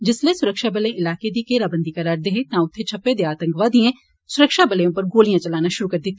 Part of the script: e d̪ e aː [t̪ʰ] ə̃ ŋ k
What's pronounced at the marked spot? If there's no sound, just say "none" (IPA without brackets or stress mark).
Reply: t̪